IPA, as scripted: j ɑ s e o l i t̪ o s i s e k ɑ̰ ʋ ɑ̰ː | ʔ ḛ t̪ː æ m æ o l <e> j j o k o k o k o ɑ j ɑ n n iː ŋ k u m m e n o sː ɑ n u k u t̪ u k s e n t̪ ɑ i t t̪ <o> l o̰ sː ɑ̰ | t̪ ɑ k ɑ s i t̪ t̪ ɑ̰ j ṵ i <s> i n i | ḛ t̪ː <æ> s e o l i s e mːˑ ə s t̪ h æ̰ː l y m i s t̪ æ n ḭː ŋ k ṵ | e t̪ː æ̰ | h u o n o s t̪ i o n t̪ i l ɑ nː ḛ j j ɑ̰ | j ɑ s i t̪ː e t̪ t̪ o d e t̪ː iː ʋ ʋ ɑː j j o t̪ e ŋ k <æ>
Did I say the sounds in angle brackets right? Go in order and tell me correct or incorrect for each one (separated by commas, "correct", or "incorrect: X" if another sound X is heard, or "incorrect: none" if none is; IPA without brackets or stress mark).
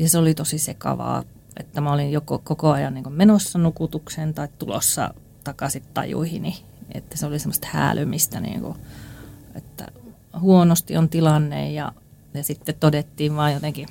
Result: incorrect: i, incorrect: u, incorrect: h, correct, incorrect: i